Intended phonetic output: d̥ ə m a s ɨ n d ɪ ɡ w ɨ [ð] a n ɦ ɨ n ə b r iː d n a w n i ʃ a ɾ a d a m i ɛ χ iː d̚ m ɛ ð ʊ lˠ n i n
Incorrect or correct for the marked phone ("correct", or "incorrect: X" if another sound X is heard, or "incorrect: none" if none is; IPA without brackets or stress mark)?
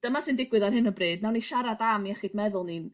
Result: correct